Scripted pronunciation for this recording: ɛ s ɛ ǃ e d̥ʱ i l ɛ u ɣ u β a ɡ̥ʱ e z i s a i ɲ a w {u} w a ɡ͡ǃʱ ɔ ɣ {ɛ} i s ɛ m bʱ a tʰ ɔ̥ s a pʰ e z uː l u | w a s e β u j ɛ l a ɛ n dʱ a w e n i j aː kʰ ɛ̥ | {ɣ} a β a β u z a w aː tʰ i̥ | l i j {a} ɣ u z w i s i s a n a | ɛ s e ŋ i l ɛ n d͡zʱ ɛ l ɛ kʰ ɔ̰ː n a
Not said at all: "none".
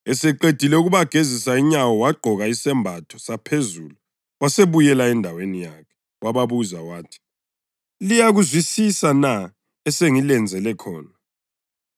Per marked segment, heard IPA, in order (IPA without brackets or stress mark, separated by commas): ɔ, a, w, a